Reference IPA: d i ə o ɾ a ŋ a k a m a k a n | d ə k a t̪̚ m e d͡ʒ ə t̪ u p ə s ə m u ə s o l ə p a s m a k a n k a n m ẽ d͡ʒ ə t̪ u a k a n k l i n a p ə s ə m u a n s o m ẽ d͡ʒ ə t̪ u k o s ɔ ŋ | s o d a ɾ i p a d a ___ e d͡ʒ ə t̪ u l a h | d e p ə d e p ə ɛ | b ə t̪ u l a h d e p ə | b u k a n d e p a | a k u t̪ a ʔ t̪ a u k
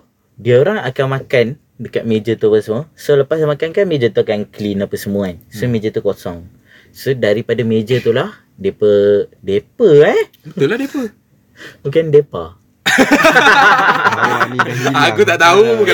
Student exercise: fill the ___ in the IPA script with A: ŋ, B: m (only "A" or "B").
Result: B